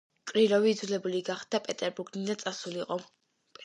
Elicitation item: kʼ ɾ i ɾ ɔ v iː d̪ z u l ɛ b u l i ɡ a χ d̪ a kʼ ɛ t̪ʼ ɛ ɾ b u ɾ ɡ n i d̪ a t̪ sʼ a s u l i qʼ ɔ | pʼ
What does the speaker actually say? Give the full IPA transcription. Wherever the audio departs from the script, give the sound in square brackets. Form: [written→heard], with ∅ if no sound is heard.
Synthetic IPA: kʼ ɾ i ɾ ɔ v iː d̪ z u l ɛ b u l i ɡ a χ d̪ a [kʼ→pʼ] ɛ t̪ʼ ɛ ɾ b u ɾ ɡ n i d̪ a t̪ sʼ a s u l i qʼ ɔ | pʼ